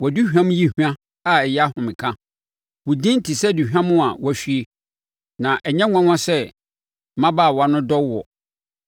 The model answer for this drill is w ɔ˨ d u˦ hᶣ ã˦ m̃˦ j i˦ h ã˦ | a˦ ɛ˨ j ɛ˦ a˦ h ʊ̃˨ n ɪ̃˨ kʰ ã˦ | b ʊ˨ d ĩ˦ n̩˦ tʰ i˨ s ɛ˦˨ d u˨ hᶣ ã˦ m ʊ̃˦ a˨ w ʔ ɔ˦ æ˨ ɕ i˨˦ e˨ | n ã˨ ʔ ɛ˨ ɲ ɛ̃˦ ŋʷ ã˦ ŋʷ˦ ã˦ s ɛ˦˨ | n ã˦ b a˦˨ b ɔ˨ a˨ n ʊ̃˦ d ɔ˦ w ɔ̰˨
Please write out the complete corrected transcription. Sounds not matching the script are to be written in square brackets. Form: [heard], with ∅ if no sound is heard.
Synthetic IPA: w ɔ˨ d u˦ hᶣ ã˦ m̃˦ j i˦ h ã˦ | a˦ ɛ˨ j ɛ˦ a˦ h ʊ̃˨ [m] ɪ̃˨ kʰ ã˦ | [w] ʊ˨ d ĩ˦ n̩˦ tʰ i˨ s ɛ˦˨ d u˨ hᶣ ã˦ m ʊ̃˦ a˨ w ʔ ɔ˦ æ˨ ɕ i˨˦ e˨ | n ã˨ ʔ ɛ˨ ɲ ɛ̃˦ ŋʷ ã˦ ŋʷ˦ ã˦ s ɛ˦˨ | [m] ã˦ b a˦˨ [w] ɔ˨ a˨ n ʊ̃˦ d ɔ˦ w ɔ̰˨